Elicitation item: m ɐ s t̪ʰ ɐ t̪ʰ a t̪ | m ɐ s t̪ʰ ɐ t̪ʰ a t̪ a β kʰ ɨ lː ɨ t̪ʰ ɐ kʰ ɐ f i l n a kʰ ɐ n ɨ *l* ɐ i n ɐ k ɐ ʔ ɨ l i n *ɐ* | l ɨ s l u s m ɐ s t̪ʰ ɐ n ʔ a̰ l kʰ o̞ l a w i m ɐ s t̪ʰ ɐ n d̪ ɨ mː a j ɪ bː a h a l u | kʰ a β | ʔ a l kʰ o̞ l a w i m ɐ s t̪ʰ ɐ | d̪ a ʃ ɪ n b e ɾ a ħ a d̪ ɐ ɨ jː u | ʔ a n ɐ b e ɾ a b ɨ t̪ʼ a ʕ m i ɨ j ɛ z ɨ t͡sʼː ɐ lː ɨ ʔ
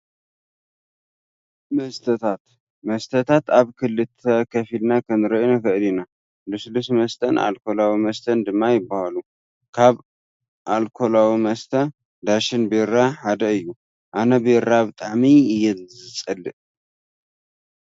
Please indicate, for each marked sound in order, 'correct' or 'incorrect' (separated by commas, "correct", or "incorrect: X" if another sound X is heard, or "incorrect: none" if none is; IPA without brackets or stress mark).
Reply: incorrect: ɾ, incorrect: a